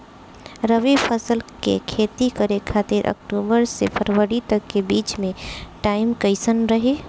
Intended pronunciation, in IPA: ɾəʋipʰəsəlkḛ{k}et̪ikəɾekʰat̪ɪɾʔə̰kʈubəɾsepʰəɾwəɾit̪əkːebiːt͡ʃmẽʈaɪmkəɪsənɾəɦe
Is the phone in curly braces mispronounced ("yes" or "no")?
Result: yes